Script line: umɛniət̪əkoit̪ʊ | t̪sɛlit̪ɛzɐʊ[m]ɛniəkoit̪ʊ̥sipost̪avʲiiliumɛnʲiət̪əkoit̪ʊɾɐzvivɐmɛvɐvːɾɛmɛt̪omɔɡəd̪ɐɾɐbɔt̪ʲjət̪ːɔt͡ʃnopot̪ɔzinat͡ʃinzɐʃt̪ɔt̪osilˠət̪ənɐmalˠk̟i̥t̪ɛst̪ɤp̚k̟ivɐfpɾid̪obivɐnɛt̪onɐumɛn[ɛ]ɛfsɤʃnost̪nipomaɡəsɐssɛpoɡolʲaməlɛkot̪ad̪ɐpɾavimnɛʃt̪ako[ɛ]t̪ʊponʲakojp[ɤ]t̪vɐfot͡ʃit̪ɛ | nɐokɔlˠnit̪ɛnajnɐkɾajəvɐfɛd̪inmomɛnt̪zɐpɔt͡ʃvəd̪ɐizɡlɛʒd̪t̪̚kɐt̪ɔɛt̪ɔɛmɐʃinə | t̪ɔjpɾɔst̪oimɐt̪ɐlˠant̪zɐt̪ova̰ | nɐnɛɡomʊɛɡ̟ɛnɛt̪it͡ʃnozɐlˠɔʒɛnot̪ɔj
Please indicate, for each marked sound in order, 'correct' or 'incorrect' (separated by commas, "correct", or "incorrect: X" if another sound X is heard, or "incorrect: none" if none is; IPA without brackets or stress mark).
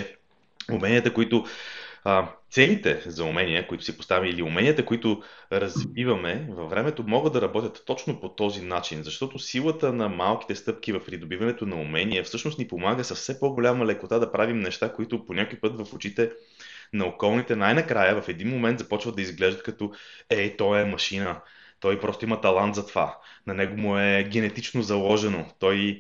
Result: correct, incorrect: i, incorrect: i, correct